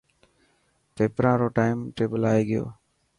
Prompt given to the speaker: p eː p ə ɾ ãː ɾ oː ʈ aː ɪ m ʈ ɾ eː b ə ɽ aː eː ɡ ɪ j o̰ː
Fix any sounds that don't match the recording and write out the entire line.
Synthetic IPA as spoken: p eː p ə ɾ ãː ɾ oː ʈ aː ɪ m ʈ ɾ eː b ə l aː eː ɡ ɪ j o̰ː

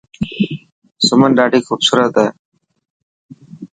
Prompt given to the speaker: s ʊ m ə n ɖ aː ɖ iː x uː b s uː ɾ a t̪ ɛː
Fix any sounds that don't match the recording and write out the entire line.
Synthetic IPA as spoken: s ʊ m ə n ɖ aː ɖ iː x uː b s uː ɾ ə t̪ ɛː

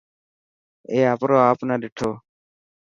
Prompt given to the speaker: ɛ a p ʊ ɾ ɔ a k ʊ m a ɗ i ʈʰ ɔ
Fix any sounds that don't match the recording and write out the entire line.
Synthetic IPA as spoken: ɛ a p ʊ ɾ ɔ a p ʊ n a d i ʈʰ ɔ

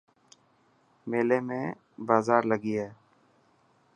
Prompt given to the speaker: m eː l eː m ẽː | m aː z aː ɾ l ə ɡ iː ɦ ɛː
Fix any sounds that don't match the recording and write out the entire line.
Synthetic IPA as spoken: m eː l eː m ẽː | b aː z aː ɾ l ə ɡ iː ɦ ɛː

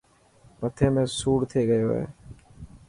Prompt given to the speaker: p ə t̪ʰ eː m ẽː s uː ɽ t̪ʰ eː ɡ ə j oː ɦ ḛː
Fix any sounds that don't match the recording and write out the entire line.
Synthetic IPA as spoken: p ə t̪ʰ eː m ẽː s uː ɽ t̪ʰ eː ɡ ə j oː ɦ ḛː

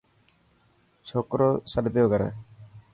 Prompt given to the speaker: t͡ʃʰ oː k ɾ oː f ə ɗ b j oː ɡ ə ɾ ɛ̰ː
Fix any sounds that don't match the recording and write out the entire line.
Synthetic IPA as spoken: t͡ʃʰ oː k ɾ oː s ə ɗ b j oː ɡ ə ɾ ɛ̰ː

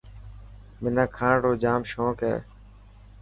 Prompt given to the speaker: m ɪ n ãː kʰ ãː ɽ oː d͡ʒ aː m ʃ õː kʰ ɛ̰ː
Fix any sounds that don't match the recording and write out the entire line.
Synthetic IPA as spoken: m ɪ n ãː kʰ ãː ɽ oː d͡ʒ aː m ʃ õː k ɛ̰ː

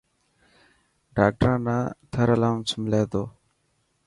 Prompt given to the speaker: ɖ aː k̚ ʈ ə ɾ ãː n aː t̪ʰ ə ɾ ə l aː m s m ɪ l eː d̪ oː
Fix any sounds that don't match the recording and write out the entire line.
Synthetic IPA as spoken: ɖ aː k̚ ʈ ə ɾ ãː n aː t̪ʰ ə ɾ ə l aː m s m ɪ l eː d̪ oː

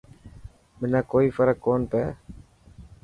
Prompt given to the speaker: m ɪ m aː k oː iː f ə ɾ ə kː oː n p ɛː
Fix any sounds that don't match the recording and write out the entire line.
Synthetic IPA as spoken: m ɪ n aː k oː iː f ə ɾ ə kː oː n p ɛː

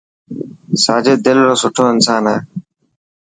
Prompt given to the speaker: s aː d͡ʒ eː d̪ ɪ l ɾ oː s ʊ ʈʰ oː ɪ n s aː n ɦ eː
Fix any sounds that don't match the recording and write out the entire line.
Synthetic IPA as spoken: s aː d͡ʒ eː d̪ ɪ l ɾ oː s ʊ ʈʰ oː ɪ n s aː n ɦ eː

